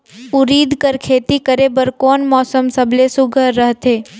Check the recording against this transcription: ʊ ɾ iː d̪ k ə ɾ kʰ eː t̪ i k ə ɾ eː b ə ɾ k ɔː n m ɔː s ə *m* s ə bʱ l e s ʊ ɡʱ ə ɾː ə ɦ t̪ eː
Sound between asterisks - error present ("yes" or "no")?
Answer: no